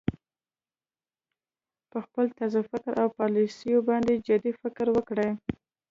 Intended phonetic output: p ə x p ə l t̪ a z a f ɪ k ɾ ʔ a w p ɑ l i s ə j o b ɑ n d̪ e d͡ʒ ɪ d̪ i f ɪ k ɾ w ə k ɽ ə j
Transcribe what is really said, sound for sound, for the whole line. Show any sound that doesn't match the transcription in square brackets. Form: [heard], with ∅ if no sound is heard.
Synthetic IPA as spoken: p ə x p ə l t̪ a z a f ɪ k ɾ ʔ a w p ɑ l i s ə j o b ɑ n d̪ e d͡ʒ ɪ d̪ i f ɪ k ɾ w ə k ɽ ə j